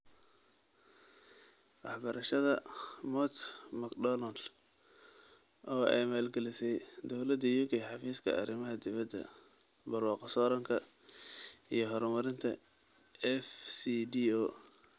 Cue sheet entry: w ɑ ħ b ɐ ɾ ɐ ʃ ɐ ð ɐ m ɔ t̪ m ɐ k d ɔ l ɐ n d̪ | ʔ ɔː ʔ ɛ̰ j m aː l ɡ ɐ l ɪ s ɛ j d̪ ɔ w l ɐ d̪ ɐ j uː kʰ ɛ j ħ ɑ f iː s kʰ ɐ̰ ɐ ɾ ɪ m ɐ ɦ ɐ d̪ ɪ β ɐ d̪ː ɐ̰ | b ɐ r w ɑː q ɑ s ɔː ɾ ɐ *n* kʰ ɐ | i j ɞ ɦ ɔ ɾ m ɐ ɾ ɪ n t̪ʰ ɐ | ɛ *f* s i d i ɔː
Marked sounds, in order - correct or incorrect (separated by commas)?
incorrect, correct